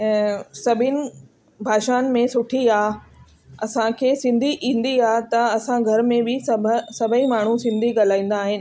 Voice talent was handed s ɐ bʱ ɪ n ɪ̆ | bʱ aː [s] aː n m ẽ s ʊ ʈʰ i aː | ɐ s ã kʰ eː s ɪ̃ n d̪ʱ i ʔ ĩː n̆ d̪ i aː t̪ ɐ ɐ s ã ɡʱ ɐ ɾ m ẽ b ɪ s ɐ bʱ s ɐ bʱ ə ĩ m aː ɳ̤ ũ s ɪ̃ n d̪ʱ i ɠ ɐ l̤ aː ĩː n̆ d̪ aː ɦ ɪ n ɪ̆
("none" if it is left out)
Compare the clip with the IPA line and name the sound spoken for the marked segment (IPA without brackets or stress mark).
ʃ